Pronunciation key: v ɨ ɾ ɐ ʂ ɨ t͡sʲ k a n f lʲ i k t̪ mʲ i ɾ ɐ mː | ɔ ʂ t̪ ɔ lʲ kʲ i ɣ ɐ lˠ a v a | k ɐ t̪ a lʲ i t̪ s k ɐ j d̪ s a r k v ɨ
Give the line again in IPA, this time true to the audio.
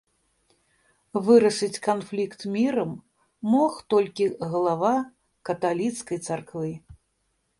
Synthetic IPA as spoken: v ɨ ɾ ɐ ʂ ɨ t͡sʲ k a n f lʲ i k t̪ mʲ i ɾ ɐ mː | ɔ x t̪ ɔ lʲ kʲ i ɣ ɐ lˠ a v a | k ɐ t̪ a lʲ i t̪ s k ɐ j t̪ s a r k v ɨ

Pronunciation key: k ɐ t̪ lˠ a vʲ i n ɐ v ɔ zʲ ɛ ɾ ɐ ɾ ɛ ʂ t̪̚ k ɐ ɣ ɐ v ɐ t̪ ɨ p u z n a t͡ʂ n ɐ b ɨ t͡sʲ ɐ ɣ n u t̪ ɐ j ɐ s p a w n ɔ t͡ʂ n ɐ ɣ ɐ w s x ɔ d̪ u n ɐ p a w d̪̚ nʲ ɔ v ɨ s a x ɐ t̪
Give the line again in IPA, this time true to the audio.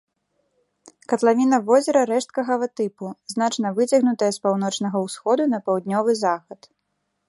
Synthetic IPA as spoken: k ɐ t̪ lˠ a vʲ i n ɐ v ɔ zʲ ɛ ɾ ɐ ɾ ɛ ʂ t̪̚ k ɐ ɣ ɐ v ɐ t̪ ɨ p u z n a t͡ʂ n ɐ v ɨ t͡sʲ ɐ ɣ n u t̪ ɐ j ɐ s p a w n ɔ t͡ʂ n ɐ ɣ ɐ w s x ɔ d̪ u n ɐ p a w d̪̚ nʲ ɔ v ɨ z a x ɐ t̪

